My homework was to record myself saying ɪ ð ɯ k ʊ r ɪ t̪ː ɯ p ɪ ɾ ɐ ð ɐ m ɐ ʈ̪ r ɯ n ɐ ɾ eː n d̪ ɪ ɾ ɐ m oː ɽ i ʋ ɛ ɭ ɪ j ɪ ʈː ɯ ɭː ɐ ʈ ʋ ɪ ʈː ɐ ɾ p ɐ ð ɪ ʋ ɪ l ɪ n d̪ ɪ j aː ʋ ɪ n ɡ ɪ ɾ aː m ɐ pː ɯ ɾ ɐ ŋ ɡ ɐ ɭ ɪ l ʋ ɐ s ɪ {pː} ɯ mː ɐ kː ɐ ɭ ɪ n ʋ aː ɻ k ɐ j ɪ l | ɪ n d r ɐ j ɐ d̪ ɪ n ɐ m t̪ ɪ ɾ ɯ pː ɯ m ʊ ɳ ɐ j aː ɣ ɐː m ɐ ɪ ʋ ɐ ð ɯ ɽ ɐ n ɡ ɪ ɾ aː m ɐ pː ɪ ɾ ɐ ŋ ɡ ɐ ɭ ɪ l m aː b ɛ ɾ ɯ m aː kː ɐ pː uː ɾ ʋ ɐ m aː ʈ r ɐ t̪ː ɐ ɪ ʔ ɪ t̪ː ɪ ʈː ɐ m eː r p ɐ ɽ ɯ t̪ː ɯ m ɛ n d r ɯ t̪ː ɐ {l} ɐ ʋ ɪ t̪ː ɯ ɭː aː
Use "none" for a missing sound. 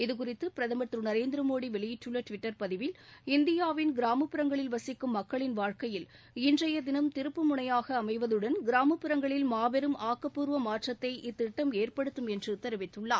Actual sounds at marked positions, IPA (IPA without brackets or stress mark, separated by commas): kː, ɾ